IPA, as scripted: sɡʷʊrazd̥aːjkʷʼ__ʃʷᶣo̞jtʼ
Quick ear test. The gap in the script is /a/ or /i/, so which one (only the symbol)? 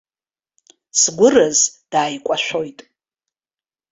a